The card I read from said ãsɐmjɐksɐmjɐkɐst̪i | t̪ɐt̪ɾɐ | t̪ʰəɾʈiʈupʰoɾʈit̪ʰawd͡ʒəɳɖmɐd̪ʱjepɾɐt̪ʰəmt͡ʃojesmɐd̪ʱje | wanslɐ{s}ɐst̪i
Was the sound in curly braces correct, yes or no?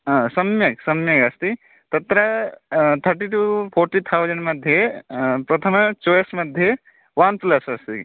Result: yes